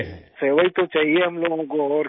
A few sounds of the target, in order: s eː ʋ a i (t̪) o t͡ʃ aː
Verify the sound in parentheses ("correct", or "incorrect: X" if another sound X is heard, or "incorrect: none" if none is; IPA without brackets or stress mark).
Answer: correct